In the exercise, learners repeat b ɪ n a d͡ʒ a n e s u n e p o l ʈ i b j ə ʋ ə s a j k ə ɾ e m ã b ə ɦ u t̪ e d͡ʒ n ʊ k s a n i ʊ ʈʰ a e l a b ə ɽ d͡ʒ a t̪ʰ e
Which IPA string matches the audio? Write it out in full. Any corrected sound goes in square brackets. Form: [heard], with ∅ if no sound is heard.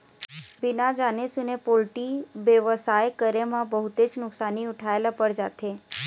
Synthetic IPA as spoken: b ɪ n a d͡ʒ a n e s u n e p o l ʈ i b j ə ʋ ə s a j k ə ɾ e m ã b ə ɦ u t̪ e d͡ʒ n ʊ k s a n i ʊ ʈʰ a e l a [p] ə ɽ d͡ʒ a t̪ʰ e